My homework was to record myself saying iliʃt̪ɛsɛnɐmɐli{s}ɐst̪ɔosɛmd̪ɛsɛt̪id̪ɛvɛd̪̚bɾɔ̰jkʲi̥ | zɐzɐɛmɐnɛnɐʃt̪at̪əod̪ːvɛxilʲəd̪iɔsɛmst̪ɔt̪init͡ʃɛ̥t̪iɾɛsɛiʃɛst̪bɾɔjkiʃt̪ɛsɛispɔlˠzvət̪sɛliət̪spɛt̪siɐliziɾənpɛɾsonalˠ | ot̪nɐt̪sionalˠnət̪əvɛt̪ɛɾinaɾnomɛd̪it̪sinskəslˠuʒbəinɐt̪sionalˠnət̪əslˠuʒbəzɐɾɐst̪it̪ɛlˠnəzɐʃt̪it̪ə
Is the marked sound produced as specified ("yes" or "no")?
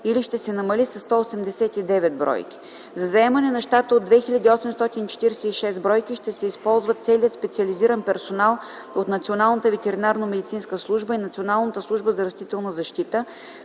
yes